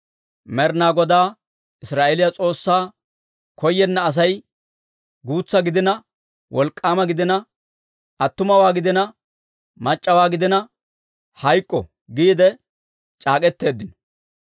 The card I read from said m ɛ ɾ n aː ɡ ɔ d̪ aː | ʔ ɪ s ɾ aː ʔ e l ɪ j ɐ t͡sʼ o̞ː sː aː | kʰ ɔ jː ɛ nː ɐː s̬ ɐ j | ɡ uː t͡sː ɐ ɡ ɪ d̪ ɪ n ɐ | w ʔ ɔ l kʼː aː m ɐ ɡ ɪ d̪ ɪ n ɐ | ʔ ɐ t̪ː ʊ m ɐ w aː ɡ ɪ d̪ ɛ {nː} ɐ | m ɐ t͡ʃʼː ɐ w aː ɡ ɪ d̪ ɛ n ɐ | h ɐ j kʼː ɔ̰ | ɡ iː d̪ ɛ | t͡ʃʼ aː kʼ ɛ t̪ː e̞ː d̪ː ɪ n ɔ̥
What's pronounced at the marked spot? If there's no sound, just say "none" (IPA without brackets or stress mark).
n